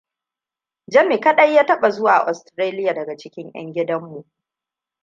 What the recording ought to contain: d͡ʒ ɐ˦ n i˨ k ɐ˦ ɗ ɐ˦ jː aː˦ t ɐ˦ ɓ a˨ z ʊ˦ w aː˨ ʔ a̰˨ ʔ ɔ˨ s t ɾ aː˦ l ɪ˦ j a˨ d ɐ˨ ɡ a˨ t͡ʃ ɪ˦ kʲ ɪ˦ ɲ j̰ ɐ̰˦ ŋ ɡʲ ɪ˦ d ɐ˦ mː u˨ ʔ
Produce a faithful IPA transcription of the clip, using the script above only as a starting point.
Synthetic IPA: d͡ʒ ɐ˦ m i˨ k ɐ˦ ɗ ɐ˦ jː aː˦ t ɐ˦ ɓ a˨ z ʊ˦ w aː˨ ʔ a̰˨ ʔ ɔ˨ s t ɾ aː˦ l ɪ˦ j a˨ d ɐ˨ ɡ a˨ t͡ʃ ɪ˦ kʲ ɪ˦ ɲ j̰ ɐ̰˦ ŋ ɡʲ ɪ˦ d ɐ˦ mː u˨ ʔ